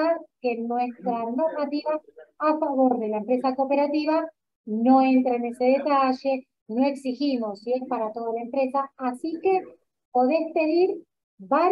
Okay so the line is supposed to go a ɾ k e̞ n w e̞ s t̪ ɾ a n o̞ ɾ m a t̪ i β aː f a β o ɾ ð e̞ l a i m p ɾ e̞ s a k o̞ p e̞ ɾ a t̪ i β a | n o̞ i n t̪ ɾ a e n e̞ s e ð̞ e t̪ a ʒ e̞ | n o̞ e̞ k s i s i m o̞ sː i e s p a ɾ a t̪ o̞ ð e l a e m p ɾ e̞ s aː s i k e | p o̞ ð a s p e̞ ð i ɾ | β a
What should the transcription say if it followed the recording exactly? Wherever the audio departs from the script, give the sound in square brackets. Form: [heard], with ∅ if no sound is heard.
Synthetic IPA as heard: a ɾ k e̞ n w e̞ s t̪ ɾ a n o̞ ɾ m a t̪ i β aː f a β o ɾ ð e̞ l a [e] m p ɾ e̞ s a k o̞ p e̞ ɾ a t̪ i β a | n o̞ [e] n t̪ ɾ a e n e̞ s e ð̞ e t̪ a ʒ e̞ | n o̞ e̞ k s i [x] i m o̞ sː i e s p a ɾ a t̪ o̞ ð [a] l a e m p ɾ e̞ s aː s i k e | p o̞ ð [e] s p e̞ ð i ɾ | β a